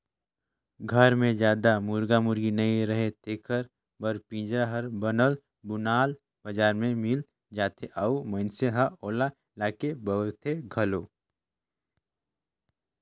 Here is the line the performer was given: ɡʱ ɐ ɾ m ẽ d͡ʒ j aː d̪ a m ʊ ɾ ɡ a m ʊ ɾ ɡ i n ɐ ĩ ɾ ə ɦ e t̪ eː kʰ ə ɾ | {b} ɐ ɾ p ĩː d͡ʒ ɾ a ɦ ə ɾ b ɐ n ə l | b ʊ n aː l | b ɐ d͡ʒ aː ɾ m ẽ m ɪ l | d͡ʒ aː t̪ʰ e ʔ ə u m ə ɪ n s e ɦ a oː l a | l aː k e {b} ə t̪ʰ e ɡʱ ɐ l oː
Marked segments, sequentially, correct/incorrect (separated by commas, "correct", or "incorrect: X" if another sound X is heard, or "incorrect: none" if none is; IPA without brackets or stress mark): correct, correct